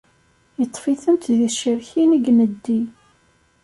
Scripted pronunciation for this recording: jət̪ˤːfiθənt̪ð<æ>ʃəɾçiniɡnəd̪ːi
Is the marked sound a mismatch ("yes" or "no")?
yes